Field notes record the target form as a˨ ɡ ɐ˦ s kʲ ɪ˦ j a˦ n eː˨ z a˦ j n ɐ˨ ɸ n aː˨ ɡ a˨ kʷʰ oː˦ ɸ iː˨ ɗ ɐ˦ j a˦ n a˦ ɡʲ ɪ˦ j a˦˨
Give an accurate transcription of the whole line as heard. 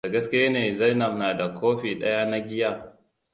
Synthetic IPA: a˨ ɡ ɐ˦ s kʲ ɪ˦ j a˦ n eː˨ z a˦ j n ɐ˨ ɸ n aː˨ d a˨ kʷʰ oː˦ ɸ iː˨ ɗ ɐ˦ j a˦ n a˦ ɡʲ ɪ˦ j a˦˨